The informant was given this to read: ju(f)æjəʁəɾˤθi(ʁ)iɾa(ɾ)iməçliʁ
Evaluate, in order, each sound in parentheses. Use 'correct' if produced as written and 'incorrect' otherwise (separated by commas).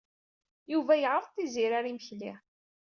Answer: incorrect, incorrect, correct